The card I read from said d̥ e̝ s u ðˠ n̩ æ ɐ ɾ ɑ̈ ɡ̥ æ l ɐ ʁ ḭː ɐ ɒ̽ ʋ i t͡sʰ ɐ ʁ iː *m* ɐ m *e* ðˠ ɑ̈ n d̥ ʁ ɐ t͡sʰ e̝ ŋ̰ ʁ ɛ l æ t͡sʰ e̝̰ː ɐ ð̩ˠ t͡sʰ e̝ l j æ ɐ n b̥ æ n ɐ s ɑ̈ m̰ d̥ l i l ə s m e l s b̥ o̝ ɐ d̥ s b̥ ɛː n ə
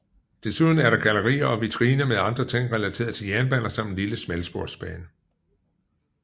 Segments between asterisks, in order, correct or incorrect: incorrect: n, correct

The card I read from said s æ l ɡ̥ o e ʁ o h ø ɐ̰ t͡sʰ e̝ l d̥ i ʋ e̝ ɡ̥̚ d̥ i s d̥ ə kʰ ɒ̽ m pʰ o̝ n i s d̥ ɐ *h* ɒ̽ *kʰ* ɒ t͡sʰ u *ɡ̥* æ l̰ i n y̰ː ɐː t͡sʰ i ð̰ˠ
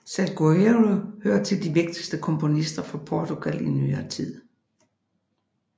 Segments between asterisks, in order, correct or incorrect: incorrect: f, incorrect: pʰ, correct

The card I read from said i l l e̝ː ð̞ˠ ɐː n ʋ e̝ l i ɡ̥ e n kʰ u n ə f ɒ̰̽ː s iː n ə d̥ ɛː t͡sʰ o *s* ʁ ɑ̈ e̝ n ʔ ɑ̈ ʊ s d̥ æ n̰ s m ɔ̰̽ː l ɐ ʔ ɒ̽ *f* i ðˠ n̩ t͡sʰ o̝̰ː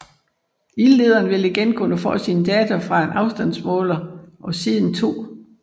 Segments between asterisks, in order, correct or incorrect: incorrect: f, incorrect: s

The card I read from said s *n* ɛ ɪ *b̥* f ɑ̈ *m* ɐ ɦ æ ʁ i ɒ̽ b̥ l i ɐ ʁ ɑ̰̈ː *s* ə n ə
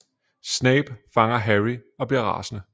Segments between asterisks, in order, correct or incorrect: correct, correct, incorrect: ŋ, correct

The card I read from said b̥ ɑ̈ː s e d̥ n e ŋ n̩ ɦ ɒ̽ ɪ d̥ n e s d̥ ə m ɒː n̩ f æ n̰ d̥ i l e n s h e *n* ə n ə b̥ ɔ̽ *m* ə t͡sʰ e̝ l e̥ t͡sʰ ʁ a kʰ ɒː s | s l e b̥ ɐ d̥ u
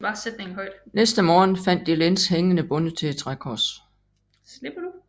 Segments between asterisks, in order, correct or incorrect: incorrect: ŋ, incorrect: n

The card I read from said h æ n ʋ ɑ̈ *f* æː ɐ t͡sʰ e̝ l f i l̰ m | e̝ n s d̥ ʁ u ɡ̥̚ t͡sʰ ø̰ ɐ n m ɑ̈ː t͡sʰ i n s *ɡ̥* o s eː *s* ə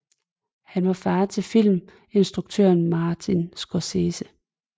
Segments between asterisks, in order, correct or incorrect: correct, correct, correct

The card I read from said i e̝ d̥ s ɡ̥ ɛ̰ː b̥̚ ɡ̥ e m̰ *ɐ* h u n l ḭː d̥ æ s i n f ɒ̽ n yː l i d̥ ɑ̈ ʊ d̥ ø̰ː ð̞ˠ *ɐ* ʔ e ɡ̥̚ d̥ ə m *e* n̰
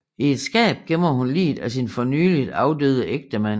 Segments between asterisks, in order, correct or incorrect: correct, incorrect: ə, incorrect: æ

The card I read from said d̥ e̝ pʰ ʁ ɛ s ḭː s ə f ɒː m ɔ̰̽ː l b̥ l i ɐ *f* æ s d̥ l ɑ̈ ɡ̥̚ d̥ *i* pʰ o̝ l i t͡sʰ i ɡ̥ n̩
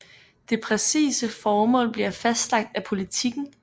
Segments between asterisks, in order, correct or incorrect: correct, incorrect: æ

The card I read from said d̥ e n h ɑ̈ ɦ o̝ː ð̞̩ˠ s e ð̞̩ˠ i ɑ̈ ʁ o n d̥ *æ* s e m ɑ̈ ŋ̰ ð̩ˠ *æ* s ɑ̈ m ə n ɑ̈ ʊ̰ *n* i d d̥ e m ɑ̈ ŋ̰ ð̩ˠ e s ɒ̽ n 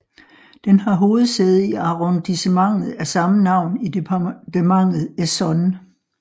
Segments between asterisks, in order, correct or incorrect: incorrect: i, correct, correct

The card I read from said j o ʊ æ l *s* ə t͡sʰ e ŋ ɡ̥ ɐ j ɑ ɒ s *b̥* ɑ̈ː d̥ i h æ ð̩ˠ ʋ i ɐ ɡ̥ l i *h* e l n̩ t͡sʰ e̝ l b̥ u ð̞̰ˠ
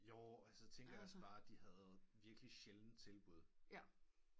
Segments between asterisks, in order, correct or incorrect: correct, correct, incorrect: ɕ

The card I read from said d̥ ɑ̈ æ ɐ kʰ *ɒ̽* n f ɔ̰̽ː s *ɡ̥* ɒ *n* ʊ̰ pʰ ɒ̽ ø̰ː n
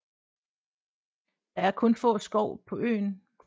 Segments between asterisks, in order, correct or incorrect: incorrect: ɔ̽, correct, incorrect: none

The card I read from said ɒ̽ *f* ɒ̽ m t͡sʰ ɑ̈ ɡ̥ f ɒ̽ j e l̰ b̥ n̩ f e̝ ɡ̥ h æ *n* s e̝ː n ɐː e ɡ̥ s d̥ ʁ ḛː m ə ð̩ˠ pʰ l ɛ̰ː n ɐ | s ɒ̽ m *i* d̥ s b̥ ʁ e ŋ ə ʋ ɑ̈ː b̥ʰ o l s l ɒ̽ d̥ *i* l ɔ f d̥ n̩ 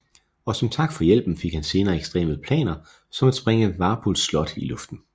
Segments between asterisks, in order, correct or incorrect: incorrect: s, correct, incorrect: æ, correct

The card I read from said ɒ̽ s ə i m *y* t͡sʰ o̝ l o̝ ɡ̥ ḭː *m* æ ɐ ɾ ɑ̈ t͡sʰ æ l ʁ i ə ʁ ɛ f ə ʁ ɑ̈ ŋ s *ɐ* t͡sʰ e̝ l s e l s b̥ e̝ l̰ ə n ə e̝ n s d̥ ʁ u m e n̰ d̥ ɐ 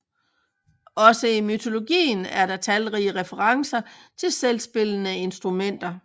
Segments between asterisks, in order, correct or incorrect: correct, incorrect: n, correct

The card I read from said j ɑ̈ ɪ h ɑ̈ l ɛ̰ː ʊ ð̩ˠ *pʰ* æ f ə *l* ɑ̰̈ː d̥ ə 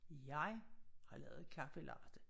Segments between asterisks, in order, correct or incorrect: incorrect: kʰ, correct

